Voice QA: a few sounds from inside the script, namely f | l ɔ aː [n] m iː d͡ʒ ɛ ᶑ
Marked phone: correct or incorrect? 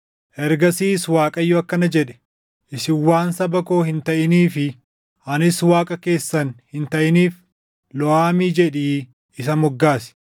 incorrect: none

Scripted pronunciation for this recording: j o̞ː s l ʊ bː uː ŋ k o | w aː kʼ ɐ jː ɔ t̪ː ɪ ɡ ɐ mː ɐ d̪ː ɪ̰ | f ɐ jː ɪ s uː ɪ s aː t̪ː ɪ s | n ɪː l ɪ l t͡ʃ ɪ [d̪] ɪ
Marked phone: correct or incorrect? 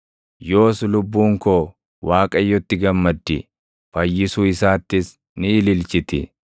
incorrect: t̪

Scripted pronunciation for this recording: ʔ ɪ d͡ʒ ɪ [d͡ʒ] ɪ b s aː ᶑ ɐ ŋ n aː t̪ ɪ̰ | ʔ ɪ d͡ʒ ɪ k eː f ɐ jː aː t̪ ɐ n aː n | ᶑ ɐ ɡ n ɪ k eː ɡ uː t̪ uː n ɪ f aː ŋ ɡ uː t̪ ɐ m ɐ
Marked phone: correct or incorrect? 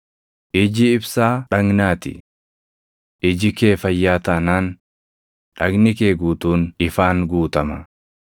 incorrect: none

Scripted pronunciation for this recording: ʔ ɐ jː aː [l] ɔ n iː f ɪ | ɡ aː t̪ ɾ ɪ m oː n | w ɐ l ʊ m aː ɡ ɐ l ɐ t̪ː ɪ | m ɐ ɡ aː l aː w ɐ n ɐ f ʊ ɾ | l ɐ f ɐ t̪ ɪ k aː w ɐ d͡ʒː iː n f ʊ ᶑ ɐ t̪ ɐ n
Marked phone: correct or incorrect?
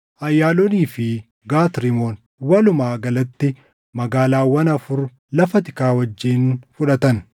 correct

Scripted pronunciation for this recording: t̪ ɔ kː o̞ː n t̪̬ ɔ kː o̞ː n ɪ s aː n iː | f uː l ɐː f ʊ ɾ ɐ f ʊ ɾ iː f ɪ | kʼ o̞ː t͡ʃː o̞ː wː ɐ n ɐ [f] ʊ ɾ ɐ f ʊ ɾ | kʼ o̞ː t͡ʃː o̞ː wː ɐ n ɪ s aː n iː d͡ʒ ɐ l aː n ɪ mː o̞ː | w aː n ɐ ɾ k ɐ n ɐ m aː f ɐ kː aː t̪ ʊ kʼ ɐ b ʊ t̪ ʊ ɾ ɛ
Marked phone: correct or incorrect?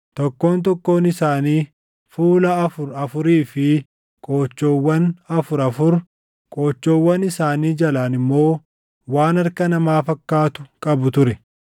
correct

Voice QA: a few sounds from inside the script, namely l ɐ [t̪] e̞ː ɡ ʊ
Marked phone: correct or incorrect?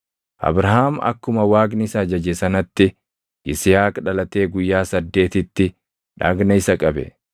correct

